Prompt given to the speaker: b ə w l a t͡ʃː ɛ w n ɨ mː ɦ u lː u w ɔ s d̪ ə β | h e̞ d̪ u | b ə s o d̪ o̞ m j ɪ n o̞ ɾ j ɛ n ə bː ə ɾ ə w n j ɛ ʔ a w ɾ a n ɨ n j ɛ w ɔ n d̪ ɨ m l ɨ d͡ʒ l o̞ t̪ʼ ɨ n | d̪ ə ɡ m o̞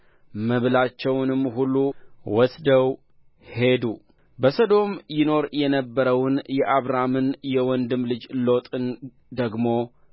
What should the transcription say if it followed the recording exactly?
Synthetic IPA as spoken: m ə β l a t͡ʃː ɛ w n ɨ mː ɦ u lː u w ɔ s d̪ ə w | h e̞ d̪ u | b ə s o d̪ o̞ m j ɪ n o̞ ɾ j ɛ n ə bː ə ɾ ə w n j ɛ ʔ a β ɾ a m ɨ n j ɛ w ɔ n d̪ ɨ m l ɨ d͡ʒ l o̞ t̪ʼ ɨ n | d̪ ə ɡ m o̞